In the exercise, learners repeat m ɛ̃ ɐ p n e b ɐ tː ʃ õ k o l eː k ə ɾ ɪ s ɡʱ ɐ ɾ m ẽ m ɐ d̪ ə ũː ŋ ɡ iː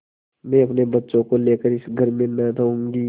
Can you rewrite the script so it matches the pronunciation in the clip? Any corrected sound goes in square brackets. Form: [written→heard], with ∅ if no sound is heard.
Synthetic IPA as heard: m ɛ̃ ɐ p n e b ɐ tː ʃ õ k o l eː k ə ɾ ɪ s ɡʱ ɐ ɾ m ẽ [m→n] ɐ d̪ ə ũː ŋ ɡ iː

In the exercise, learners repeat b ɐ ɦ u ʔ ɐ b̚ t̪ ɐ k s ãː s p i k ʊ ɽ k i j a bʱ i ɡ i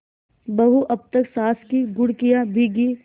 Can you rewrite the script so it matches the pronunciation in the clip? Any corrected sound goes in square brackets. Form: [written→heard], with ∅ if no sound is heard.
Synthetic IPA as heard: b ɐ ɦ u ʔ ɐ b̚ t̪ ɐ k s [ãː→aː] s [p→k] i [k→ɡ] ʊ ɽ k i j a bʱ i ɡ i

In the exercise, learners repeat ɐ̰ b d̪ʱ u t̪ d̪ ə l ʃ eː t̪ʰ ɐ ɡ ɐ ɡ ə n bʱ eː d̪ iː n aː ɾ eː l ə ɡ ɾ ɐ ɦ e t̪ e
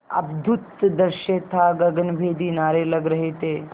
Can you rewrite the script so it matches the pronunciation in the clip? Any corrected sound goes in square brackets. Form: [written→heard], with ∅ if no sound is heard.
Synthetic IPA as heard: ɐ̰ b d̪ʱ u t̪ d̪ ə [l→ɾ] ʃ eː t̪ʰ [ɐ→a] ɡ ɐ ɡ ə n bʱ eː d̪ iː n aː ɾ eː l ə ɡ ɾ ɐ ɦ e t̪ e

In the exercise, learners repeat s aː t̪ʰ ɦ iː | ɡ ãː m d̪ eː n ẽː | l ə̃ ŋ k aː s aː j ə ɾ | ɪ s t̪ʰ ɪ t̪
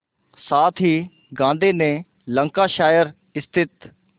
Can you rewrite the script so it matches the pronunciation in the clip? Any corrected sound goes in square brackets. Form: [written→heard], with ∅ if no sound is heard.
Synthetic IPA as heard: s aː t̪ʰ ɦ iː | ɡ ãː [m→n] d̪ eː n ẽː | l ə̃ ŋ k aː [s→ʃ] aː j ə ɾ | ɪ s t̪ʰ ɪ t̪

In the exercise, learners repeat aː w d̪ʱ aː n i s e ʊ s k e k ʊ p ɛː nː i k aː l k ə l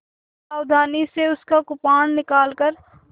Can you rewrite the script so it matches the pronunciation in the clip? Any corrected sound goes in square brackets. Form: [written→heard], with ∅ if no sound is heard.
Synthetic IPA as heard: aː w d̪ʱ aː n i s e ʊ s k [e→a] k ʊ p [ɛː→aː] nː [i→ɪ] k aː l k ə [l→ɾ]

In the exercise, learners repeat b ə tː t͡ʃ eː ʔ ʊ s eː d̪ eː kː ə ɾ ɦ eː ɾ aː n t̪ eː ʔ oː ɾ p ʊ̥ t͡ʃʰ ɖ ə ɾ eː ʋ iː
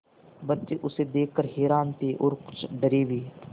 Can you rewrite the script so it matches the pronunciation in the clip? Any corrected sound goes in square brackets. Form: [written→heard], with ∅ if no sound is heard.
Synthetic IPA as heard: b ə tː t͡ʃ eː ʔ ʊ s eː d̪ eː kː ə ɾ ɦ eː ɾ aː n t̪ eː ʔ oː ɾ [p→k] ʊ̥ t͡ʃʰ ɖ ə ɾ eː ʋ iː

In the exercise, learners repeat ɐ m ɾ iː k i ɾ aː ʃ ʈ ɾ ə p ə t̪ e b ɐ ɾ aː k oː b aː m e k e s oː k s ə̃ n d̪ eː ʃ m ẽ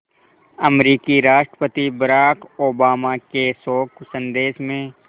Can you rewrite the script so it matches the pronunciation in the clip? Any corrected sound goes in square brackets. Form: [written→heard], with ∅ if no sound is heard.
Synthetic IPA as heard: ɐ m ɾ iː k i ɾ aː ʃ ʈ ɾ ə p ə t̪ [e→i] b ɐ ɾ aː k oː b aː m [e→a] k e s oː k s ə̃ n d̪ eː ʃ m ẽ

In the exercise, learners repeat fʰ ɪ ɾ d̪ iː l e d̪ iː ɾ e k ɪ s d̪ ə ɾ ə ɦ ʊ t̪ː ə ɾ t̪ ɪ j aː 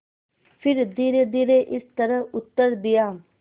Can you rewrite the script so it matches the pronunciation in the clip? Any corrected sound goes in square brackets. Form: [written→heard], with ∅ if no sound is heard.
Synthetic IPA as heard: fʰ ɪ ɾ d̪ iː [l→ɾ] e d̪ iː ɾ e [k→ʔ] ɪ s [d̪→t̪] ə ɾ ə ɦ ʊ t̪ː ə ɾ [t̪→d̪] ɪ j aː

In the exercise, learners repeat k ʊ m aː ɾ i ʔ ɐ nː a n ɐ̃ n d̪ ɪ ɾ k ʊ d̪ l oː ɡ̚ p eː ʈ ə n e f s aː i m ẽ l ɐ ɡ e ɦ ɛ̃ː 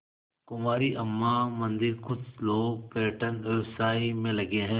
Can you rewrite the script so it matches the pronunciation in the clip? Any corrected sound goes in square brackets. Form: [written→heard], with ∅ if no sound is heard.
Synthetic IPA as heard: k ʊ m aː ɾ i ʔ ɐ [nː→mː] a [n→m] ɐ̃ n d̪ ɪ ɾ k ʊ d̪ l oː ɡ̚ p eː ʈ ə n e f s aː i m ẽ l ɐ ɡ e ɦ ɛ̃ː

